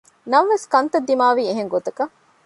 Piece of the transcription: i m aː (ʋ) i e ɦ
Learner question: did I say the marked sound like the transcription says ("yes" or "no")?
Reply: yes